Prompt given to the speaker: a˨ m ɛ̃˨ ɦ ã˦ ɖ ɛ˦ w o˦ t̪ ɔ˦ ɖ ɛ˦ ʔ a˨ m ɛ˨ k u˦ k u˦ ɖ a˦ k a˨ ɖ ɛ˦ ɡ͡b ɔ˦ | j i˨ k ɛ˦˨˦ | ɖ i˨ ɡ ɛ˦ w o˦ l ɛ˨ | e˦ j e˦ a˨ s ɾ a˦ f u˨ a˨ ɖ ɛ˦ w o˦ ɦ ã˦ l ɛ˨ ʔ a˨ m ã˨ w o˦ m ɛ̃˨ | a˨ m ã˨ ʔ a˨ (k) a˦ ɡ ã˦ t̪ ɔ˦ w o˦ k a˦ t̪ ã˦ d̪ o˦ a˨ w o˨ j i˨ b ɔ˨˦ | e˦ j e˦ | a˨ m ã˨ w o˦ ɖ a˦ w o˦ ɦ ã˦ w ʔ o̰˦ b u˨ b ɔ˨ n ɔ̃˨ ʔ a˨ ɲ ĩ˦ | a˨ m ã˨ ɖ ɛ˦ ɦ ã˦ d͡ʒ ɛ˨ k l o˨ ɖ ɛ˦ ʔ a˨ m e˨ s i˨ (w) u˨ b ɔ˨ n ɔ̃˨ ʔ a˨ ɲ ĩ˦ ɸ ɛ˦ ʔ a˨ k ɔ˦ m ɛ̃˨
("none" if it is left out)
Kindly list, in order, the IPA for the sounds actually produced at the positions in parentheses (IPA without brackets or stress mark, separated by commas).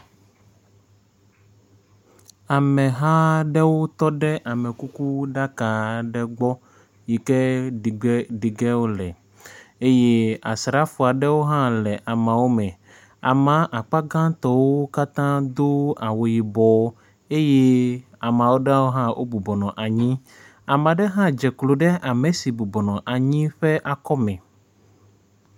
k͡p, b